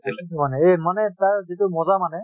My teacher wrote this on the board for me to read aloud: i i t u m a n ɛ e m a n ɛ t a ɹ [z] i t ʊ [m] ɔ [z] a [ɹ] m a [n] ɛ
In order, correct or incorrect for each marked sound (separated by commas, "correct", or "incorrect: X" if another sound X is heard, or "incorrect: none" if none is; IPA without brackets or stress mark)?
correct, correct, correct, incorrect: none, correct